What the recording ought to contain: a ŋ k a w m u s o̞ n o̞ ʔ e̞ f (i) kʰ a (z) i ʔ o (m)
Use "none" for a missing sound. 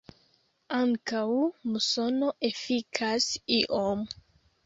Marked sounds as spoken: i, s, m

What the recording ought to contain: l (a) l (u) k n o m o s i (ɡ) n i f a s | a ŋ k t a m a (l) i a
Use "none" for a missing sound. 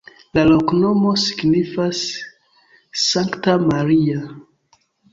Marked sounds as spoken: a, o, ɡ, ɾ

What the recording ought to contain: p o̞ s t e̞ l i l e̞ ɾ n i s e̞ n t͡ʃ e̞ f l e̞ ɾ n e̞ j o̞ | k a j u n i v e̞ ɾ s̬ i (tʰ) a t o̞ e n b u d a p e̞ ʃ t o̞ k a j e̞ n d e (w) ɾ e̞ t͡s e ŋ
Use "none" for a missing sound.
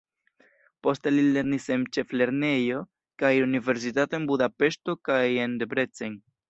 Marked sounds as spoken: t, b

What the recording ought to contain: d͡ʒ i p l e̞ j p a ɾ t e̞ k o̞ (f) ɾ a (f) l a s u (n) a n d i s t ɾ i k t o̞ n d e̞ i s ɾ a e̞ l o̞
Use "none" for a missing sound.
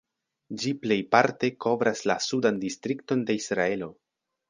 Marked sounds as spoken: v, s, d

